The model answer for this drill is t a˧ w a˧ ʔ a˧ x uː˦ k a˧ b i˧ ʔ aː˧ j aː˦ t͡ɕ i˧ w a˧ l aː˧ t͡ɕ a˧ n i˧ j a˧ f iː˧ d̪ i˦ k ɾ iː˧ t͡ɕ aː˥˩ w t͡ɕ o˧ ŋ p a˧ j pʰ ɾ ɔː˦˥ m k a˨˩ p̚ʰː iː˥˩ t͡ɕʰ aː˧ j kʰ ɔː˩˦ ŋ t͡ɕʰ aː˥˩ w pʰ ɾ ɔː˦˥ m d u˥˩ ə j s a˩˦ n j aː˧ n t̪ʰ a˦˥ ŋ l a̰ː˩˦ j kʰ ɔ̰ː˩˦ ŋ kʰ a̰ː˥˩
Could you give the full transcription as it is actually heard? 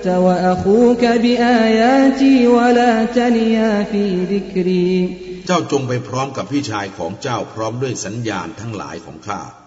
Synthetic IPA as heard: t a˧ w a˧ ʔ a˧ x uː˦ k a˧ b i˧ ʔ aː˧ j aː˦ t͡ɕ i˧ w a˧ l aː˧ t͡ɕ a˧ n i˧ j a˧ f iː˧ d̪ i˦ k ɾ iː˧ t͡ɕ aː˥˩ w t͡ɕ o˧ ŋ p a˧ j pʰ ɾ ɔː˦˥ m k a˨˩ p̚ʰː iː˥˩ t͡ɕʰ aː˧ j kʰ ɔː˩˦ ŋ t͡ɕ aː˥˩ w pʰ ɾ ɔː˦˥ m d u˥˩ ə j s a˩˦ n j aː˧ n t̪ʰ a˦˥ ŋ l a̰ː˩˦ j kʰ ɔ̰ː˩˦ ŋ kʰ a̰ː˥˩